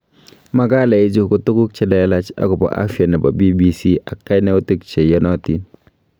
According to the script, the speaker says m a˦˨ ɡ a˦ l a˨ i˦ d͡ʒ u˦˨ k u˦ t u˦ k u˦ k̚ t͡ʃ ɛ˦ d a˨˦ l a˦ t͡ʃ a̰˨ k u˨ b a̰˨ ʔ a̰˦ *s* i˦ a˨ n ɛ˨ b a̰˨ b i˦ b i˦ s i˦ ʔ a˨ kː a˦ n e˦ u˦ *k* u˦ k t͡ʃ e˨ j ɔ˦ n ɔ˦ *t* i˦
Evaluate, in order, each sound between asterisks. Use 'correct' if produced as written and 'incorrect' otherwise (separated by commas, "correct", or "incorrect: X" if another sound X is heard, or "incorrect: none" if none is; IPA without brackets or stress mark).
incorrect: f, incorrect: t, correct